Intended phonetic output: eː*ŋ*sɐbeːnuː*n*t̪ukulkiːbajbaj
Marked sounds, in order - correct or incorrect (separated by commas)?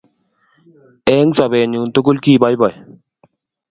correct, correct